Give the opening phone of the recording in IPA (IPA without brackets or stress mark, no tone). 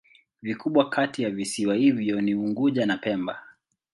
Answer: v